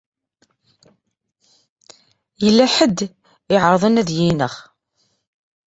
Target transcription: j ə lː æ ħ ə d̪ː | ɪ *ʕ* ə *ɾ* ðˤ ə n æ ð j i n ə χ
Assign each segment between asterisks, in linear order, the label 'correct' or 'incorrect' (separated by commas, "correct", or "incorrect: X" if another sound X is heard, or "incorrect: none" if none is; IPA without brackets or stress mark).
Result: correct, correct